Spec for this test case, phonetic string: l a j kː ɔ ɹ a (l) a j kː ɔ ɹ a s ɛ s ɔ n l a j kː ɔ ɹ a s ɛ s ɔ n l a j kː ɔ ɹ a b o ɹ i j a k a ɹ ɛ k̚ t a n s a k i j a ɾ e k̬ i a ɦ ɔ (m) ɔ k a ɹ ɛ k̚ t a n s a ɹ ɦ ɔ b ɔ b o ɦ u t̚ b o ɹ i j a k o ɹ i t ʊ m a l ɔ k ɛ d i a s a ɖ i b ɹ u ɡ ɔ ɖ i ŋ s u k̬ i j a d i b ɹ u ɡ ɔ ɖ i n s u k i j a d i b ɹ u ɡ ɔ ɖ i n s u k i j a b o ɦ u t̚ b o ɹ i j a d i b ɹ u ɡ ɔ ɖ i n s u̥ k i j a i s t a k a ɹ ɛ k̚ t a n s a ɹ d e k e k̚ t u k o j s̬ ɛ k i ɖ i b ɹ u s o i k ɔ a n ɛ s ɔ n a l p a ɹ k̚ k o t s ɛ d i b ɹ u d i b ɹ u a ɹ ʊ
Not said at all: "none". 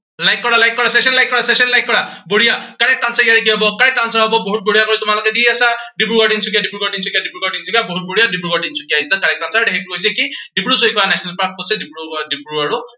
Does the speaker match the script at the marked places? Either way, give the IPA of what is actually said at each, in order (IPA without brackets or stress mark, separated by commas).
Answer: l, b